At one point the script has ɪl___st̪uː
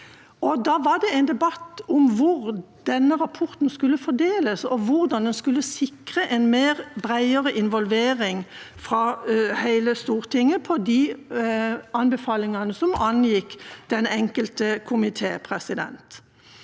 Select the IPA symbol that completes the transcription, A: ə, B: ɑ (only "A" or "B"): A